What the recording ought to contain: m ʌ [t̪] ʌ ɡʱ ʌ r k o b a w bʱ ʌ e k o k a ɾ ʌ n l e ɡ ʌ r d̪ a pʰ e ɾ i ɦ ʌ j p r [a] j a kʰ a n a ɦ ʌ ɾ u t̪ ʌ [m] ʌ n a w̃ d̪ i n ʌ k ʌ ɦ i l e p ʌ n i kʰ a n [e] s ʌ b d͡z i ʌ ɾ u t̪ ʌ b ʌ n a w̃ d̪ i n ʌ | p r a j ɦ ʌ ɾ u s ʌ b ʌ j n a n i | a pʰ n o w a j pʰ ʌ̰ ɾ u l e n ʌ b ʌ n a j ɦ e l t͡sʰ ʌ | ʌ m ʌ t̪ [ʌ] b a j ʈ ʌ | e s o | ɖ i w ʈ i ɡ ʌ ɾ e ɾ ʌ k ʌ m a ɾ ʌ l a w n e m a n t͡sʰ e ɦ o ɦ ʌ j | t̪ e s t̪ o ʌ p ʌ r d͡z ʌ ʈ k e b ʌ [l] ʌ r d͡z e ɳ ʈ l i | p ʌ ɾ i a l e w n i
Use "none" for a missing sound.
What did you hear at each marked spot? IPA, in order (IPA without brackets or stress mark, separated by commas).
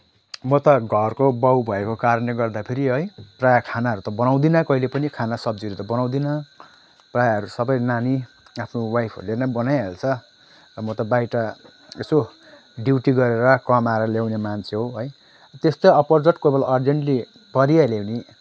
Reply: t̪, a, b, a, ʌ, l